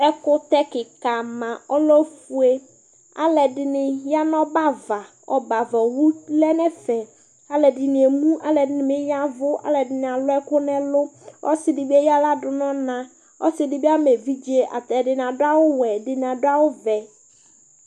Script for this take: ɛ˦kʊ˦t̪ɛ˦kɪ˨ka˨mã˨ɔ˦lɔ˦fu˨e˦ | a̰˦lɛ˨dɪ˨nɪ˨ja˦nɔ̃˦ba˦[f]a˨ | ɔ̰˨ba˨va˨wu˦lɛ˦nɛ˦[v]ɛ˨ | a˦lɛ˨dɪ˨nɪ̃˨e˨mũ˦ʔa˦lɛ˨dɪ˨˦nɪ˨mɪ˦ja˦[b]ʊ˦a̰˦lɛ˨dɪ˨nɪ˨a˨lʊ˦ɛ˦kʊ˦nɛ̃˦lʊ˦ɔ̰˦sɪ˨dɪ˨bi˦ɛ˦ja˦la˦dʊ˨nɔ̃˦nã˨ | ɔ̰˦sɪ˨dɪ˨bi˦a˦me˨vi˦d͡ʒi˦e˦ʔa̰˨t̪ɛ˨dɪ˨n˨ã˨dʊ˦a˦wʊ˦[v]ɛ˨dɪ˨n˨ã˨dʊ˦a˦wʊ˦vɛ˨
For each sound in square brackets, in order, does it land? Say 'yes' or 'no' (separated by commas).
no, no, no, no